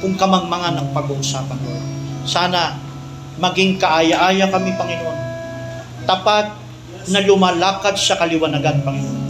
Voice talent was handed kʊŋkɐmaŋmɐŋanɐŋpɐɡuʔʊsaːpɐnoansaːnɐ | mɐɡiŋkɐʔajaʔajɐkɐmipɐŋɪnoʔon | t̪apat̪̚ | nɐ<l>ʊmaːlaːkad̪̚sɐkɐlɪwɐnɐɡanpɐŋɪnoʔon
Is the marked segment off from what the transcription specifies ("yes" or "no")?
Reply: no